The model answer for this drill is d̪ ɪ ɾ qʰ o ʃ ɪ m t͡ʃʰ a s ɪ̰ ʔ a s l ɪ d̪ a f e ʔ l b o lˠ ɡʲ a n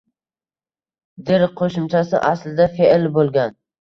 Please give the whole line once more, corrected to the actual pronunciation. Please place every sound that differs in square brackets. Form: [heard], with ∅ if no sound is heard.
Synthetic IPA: d̪ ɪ ɾ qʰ o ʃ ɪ m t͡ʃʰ a s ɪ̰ ʔ a s l ɪ d̪ a f e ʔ l b o lˠ ɡʲ a n